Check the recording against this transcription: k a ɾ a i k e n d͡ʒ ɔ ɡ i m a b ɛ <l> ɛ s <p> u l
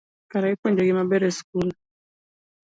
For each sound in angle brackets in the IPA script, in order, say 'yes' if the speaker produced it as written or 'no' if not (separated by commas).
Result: no, no